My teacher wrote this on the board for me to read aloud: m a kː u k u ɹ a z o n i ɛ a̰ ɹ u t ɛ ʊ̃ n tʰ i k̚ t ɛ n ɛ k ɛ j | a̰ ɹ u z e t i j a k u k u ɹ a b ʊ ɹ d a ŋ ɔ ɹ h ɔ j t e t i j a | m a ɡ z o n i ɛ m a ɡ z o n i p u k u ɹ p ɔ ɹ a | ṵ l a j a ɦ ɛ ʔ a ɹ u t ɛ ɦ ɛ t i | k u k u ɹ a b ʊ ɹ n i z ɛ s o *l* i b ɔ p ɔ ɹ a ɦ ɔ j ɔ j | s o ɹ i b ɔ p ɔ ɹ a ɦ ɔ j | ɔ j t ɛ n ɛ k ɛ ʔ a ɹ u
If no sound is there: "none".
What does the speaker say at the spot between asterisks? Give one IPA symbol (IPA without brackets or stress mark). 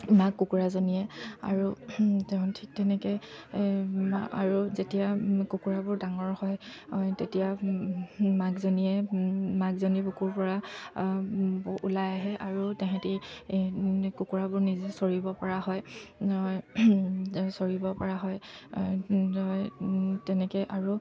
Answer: ɹ